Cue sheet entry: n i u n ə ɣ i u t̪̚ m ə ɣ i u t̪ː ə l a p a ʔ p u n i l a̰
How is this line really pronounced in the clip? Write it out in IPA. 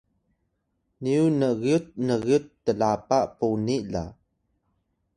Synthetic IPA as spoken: n i u n ə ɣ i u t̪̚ n ə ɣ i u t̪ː ə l a p a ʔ p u n i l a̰